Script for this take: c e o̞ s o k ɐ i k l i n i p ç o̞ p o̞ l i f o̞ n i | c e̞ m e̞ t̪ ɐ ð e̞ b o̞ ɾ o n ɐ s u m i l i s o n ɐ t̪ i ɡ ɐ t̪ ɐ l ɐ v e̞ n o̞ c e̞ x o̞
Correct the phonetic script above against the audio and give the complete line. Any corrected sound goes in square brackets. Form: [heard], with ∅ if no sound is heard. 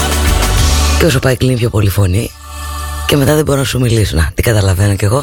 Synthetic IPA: c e o̞ s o [p] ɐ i k l i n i p ç o̞ p o̞ l i f o̞ n i | c e̞ m e̞ t̪ ɐ ð e̞ b o̞ ɾ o n ɐ s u m i l i s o n ɐ t̪ i ɡ ɐ t̪ ɐ l ɐ v e̞ n o̞ c e̞ [ɣ] o̞